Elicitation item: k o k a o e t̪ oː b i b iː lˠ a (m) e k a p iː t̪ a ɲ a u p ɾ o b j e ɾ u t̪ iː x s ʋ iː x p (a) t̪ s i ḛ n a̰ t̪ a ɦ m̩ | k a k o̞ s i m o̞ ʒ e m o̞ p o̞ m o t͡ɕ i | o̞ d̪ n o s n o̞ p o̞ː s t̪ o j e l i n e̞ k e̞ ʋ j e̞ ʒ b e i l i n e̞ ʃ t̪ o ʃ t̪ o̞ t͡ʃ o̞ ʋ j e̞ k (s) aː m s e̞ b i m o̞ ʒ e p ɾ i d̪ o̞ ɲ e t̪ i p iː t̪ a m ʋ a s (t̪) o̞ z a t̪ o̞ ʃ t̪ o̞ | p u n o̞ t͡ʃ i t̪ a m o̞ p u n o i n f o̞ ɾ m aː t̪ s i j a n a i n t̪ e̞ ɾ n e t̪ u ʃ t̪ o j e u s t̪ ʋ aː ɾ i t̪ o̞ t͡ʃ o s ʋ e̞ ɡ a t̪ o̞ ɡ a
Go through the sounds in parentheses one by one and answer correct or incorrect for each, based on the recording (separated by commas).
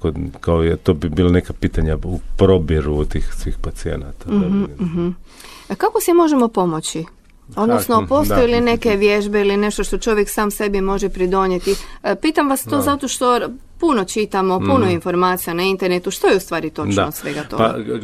incorrect, correct, correct, correct